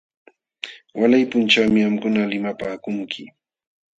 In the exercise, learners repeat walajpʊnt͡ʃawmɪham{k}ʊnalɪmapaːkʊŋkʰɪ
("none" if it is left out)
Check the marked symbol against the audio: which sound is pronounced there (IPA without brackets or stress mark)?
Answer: k